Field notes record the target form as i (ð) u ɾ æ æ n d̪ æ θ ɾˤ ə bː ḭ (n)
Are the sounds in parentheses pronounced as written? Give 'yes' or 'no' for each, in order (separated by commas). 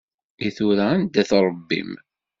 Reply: no, no